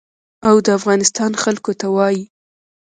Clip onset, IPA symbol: a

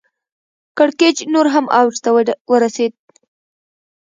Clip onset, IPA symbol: k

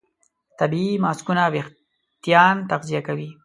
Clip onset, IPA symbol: t̪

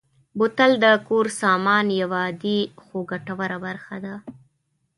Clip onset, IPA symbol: b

